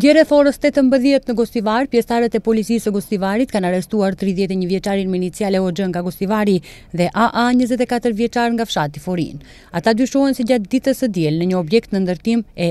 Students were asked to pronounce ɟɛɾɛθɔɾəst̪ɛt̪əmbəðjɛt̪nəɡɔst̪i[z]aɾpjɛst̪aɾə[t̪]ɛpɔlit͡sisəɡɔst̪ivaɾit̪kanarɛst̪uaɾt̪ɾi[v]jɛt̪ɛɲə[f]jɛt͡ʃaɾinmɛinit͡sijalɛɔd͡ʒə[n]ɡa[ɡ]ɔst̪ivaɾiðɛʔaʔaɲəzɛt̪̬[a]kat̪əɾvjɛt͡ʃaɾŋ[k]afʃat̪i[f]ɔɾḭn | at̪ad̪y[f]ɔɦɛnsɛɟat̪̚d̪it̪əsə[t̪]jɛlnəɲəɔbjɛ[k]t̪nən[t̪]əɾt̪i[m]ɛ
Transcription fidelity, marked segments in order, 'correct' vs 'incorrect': incorrect: v, correct, incorrect: ð, incorrect: v, incorrect: ŋ, correct, incorrect: ɛ, incorrect: ɡ, correct, incorrect: ʃ, incorrect: d̪, correct, incorrect: d̪, correct

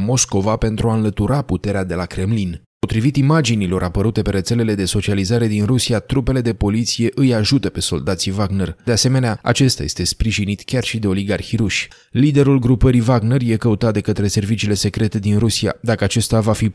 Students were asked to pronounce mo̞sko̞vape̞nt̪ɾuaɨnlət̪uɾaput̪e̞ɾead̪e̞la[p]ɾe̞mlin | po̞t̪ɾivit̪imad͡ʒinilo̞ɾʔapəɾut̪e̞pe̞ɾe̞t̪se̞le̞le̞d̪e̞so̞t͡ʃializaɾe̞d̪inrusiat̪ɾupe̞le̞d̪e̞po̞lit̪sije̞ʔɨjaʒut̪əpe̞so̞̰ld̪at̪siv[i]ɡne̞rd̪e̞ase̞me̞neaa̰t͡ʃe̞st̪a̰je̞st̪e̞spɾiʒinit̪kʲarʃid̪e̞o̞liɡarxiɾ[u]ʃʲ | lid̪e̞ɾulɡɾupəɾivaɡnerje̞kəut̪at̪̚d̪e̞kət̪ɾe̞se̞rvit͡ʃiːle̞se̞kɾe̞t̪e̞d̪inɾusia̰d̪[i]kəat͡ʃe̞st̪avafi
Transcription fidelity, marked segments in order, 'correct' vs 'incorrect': incorrect: k, incorrect: a, correct, incorrect: a

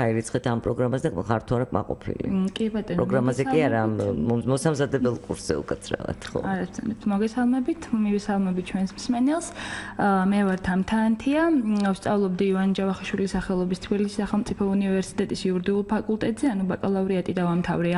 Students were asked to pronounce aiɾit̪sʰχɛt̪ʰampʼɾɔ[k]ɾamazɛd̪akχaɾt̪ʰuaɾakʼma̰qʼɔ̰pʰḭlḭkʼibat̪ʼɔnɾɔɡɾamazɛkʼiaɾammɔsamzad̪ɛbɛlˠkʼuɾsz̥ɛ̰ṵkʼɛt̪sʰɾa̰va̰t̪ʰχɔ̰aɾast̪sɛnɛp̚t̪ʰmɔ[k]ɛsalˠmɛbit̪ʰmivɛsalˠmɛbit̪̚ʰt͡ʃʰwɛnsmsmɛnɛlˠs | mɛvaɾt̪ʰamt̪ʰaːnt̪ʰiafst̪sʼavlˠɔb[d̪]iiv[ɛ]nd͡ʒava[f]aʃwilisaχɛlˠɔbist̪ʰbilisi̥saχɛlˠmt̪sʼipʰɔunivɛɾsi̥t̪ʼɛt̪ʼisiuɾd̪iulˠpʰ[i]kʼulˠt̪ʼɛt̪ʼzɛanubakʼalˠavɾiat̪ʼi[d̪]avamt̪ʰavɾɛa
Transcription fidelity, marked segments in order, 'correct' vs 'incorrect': incorrect: ɡ, incorrect: ɡ, correct, incorrect: a, incorrect: χ, incorrect: a, correct

